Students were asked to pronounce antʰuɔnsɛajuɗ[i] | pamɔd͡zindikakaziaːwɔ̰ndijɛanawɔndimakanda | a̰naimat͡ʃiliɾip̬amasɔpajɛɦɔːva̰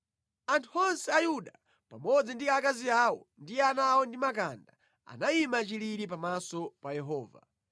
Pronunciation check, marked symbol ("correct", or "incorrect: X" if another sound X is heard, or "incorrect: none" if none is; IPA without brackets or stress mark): incorrect: a